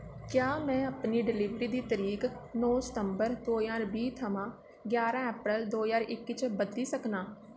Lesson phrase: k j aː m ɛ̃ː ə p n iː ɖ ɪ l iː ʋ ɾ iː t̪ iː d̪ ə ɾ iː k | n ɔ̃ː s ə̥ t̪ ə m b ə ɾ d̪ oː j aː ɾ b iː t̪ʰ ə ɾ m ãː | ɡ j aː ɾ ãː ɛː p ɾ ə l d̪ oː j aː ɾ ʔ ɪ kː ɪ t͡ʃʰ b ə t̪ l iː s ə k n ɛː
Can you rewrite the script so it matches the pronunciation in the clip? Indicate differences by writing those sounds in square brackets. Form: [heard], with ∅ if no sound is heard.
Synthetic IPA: k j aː m ɛ̃ː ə p n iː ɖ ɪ l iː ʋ ɾ iː [d̪] iː [t̪] ə ɾ iː k | n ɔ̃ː s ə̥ t̪ ə m b ə ɾ d̪ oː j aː ɾ b iː t̪ʰ ə [∅] m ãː | ɡ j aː ɾ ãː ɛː p ɾ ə l d̪ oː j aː ɾ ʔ ɪ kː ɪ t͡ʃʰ b ə [d̪] l iː s ə k n [aː]

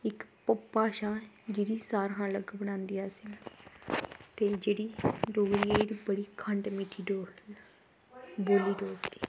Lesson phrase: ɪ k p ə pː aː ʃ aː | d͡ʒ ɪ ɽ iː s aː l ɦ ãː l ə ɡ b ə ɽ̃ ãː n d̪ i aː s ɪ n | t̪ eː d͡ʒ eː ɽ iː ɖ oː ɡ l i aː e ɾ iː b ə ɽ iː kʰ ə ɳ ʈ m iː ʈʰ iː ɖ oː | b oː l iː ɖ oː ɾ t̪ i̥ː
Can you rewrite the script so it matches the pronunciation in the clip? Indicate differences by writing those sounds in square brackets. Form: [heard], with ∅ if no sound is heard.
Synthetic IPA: ɪ k p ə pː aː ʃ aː | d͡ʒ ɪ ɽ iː s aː [ɾ] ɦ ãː l ə ɡ b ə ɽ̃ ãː n d̪ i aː s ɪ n | t̪ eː d͡ʒ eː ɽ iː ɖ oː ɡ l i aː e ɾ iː b ə ɽ iː kʰ ə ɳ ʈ m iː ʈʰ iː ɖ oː | b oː l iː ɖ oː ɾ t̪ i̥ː

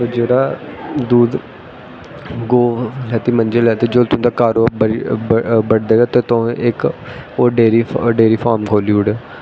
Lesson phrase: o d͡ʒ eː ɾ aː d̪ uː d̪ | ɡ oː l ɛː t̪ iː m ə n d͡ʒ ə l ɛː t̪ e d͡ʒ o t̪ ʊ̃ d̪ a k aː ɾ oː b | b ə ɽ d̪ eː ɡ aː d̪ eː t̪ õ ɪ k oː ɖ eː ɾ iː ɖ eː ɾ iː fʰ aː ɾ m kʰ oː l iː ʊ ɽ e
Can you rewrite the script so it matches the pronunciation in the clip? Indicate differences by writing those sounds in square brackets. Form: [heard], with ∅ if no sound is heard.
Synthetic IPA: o d͡ʒ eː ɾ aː d̪ uː d̪ | ɡ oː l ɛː t̪ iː m ə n d͡ʒ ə l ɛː t̪ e d͡ʒ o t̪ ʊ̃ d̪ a k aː ɾ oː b | b ə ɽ d̪ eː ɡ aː [t̪] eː t̪ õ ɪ k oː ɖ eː ɾ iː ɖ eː ɾ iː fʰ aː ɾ m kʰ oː l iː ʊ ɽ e

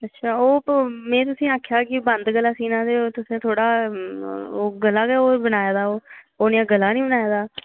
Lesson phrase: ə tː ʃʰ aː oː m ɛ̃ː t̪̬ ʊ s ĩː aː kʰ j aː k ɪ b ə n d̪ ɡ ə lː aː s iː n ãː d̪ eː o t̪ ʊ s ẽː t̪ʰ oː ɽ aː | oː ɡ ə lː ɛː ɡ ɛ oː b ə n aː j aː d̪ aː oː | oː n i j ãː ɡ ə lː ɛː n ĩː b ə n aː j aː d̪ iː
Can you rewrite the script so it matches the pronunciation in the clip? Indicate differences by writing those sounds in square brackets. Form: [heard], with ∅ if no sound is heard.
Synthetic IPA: ə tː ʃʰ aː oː m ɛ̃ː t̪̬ ʊ s ĩː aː kʰ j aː k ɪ b ə n d̪ ɡ ə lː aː s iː n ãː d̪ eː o t̪ ʊ s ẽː t̪ʰ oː ɽ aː | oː ɡ ə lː [aː] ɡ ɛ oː b ə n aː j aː d̪ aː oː | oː n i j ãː ɡ ə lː [aː] n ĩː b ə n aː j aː d̪ [aː]

